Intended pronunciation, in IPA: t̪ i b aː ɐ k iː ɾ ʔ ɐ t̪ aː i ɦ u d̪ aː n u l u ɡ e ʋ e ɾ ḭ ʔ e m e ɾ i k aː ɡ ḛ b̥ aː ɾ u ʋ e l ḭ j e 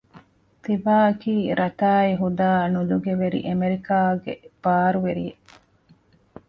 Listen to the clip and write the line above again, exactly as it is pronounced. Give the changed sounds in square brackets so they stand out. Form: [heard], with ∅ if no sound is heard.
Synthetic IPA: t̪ i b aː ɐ k iː ɾ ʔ ɐ t̪ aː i ɦ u d̪ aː n u l u ɡ e ʋ e ɾ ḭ ʔ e m e ɾ i k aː ɡ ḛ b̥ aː ɾ u ʋ e [ɾ] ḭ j e